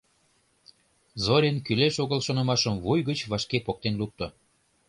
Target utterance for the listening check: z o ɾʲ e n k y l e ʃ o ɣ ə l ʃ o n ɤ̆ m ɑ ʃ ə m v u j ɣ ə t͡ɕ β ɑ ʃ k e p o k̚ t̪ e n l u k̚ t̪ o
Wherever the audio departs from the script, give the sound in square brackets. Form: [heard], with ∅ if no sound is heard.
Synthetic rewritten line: z o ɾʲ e n k y l e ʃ o ɣ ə l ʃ o n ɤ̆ m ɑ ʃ ə m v u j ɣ ə t͡ɕ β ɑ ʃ k e p o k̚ t̪ e n l u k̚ t̪ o